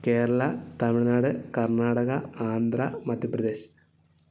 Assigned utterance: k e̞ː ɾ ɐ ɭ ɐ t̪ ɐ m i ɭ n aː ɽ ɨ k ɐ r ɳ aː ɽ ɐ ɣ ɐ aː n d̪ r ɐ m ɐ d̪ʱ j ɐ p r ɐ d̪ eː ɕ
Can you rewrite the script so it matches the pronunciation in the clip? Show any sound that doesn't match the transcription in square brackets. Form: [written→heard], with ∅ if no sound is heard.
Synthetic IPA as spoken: k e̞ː ɾ ɐ ɭ ɐ t̪ ɐ m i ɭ n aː ɽ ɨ k ɐ r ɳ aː ɽ ɐ ɣ ɐ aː n d̪ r ɐ m ɐ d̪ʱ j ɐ p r ɐ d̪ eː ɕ